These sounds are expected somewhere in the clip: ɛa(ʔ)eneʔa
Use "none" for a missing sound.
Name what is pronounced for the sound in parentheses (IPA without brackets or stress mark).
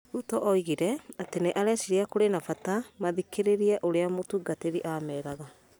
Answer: t